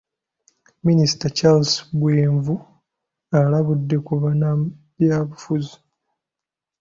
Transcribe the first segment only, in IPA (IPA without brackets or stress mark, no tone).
m